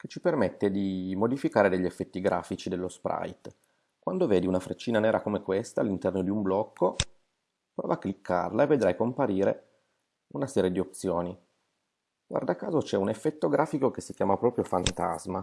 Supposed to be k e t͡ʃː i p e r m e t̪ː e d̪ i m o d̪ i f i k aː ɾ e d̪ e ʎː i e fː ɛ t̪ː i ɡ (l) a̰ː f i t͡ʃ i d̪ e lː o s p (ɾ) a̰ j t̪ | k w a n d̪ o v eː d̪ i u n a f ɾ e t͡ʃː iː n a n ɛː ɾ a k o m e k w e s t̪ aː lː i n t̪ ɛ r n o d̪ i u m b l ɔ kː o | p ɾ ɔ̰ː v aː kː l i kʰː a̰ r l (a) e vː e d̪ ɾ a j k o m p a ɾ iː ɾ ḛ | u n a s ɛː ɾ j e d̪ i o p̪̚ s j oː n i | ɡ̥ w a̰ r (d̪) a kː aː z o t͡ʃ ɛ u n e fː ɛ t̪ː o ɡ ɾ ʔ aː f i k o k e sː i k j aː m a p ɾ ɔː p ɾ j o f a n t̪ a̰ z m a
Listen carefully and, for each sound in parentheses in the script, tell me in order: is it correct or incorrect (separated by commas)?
incorrect, correct, correct, correct